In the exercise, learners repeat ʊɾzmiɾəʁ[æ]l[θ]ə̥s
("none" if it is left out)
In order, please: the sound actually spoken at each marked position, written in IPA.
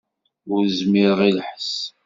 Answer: i, ħ

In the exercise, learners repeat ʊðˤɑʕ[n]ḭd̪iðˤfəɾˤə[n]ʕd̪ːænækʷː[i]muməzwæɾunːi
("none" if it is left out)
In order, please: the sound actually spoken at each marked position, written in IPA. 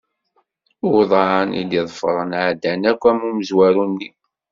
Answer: n, n, æ

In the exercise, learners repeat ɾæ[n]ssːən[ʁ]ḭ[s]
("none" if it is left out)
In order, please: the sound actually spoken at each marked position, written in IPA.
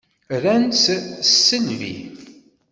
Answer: n, v, none

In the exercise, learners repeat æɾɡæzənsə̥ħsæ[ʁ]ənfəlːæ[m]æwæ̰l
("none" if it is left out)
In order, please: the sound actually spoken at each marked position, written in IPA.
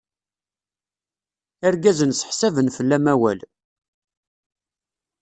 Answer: v, m

